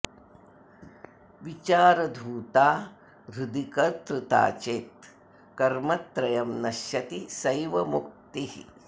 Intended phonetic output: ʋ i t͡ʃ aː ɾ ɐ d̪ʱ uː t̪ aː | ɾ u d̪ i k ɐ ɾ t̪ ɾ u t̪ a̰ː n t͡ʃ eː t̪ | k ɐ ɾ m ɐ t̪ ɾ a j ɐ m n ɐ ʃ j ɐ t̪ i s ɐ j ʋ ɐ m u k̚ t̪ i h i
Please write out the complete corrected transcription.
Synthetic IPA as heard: ʋ i t͡ʃ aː ɾ ɐ d̪ʱ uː t̪ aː | ɾ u d̪ i k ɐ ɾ t̪ ɾ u t̪ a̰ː t͡ʃ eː t̪ | k ɐ ɾ m ɐ t̪ ɾ ɐ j ɐ m n ɐ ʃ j ɐ t̪ i s ɐ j ʋ ɐ m u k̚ t̪ i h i